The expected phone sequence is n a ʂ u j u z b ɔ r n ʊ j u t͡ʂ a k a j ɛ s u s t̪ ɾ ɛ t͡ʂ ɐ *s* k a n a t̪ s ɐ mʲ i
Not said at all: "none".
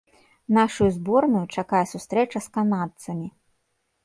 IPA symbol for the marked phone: s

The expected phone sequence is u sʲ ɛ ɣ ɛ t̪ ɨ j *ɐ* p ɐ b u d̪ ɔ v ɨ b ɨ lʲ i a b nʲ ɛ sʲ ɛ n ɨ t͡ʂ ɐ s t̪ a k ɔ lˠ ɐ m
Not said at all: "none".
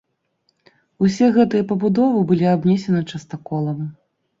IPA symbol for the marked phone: ɐ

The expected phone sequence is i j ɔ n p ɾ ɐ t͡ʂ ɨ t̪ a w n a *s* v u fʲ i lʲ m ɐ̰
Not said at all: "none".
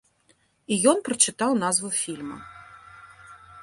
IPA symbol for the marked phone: z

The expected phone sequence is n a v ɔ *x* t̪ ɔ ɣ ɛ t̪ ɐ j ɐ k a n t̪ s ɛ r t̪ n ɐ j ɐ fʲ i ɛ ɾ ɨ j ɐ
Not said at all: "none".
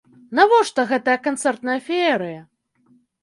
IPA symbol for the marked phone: ʂ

